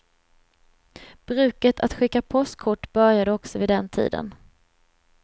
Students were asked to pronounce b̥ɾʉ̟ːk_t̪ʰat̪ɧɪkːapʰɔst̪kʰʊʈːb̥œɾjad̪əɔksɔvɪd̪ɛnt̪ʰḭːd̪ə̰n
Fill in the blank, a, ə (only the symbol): ə